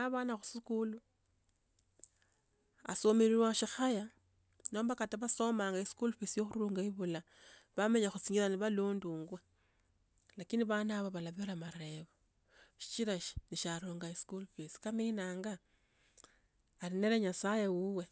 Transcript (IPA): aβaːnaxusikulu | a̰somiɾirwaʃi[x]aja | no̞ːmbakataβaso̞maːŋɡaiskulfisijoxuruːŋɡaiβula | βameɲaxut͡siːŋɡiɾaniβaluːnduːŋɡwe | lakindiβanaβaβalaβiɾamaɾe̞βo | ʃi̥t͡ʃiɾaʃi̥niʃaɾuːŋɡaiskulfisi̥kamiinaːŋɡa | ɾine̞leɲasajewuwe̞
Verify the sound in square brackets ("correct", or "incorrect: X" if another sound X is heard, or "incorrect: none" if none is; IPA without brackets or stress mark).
correct